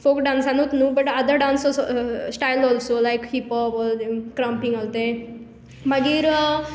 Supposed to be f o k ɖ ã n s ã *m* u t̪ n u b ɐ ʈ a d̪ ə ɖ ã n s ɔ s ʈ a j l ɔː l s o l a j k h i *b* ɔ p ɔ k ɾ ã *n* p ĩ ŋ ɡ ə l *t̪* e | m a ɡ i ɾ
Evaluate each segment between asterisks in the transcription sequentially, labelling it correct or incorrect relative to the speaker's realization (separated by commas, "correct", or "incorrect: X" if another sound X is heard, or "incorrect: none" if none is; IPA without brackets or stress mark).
incorrect: n, incorrect: p, incorrect: m, correct